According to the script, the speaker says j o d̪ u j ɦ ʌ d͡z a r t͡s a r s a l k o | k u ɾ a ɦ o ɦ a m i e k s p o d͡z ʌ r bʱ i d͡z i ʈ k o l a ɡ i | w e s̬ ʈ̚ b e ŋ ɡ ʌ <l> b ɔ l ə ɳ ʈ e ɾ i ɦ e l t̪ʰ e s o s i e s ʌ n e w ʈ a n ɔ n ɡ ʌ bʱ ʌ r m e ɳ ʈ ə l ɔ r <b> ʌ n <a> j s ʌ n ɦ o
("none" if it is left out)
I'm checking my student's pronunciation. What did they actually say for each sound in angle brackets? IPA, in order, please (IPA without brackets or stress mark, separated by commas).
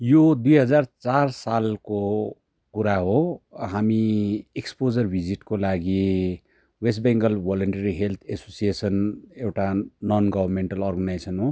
l, ɡ, a